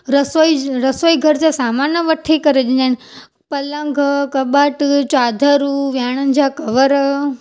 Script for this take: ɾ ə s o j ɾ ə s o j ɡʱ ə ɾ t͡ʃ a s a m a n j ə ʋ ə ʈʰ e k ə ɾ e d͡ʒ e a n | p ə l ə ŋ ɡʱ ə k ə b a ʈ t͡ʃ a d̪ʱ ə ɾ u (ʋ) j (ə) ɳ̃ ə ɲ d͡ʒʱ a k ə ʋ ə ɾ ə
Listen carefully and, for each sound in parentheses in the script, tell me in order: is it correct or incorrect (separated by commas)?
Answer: correct, incorrect